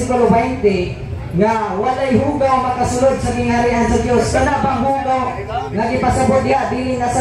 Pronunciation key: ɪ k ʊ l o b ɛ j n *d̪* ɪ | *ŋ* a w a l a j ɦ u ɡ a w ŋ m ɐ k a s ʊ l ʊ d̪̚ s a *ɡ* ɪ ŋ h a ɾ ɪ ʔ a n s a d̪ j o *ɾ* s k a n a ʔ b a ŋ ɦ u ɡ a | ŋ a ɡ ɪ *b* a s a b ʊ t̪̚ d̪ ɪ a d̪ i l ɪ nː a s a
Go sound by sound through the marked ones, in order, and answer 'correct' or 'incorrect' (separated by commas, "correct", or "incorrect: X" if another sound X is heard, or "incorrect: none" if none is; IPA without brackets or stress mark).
incorrect: t̪, correct, correct, incorrect: none, incorrect: p